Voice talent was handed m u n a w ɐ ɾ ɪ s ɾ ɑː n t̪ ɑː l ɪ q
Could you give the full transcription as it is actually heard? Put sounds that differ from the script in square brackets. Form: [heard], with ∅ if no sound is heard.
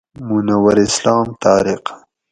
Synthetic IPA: m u n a w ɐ ɾ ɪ s [l] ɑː [m] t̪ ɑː [ɾ] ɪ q